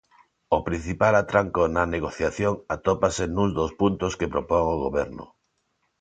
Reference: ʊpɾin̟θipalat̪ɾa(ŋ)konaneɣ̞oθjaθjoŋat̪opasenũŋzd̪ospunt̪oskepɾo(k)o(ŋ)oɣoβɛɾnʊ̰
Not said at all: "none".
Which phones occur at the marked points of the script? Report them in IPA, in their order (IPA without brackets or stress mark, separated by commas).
ŋ, p, ŋ